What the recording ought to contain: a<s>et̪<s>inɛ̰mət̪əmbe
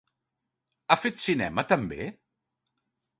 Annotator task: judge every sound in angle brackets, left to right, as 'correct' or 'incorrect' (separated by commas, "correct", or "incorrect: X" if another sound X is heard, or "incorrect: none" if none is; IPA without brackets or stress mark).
incorrect: f, correct